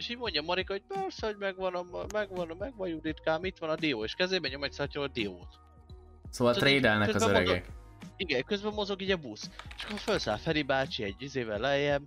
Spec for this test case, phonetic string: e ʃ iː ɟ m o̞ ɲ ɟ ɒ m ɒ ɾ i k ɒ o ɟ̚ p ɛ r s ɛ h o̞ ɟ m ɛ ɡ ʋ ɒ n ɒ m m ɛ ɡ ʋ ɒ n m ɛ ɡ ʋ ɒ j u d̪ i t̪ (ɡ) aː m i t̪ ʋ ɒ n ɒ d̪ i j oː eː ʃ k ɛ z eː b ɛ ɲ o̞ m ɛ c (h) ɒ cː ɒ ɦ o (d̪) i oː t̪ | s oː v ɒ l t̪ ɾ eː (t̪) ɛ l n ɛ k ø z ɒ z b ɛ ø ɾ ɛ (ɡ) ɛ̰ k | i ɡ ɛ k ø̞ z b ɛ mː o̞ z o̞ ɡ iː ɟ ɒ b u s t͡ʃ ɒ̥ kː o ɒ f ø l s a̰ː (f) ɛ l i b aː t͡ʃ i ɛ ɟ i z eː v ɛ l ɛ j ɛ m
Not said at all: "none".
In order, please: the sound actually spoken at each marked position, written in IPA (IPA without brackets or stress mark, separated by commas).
k, s, d̪, d̪, ɡ, f